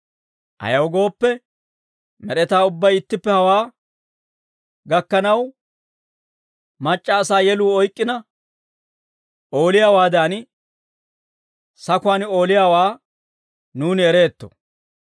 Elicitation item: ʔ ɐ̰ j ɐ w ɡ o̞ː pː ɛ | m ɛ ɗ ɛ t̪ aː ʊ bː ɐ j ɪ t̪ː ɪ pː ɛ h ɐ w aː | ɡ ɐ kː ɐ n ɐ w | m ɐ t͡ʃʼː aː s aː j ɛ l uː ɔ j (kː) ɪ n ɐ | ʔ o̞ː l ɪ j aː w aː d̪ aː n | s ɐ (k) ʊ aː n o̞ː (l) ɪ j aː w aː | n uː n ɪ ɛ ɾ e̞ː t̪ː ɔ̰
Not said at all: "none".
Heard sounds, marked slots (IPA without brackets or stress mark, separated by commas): kʼː, k, l